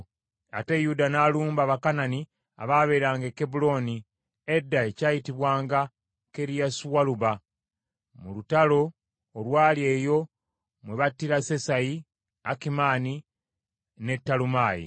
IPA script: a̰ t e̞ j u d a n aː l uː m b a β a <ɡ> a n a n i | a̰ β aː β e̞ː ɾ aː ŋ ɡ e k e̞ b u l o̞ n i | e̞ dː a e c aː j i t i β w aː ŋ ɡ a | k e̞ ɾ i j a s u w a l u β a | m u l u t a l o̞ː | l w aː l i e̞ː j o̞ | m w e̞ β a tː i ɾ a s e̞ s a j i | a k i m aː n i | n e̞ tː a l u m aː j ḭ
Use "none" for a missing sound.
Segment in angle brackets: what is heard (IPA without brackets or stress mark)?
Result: k